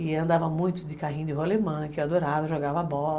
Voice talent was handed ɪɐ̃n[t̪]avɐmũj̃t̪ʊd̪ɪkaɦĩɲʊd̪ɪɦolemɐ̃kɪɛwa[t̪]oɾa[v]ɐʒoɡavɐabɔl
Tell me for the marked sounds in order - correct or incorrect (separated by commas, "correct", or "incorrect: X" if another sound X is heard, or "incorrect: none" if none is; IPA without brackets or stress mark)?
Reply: incorrect: d̪, incorrect: d̪, correct